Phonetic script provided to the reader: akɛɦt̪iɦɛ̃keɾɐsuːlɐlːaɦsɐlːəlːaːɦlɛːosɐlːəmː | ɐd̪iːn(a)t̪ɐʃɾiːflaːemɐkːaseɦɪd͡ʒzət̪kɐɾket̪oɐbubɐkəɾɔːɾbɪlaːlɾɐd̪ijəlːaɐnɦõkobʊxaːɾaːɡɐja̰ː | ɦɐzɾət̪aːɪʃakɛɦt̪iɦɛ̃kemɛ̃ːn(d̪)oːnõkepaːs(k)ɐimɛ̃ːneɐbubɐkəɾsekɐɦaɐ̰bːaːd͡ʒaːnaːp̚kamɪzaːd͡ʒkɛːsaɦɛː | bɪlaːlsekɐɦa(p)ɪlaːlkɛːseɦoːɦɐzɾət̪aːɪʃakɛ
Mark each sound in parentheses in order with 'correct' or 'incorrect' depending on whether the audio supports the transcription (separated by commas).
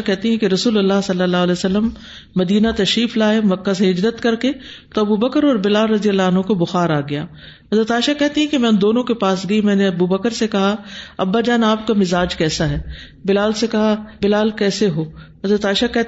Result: correct, correct, incorrect, incorrect